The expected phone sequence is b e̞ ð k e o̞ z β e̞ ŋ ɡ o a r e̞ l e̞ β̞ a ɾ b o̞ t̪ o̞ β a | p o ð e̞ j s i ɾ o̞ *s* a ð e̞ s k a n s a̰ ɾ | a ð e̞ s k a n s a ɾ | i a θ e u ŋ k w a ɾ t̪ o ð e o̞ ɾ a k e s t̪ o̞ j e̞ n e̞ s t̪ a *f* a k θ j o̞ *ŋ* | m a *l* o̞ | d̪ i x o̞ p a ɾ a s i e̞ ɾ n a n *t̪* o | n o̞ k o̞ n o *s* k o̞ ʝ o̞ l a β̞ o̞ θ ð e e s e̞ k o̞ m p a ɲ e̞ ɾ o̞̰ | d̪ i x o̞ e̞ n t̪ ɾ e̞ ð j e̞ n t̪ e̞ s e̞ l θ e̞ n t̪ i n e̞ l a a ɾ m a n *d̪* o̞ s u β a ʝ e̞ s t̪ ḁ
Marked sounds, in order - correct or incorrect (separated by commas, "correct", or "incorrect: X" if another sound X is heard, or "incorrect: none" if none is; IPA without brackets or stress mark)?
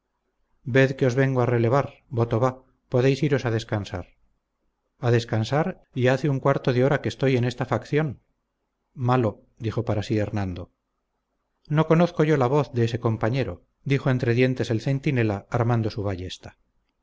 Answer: correct, correct, incorrect: n, correct, incorrect: d̪, incorrect: θ, correct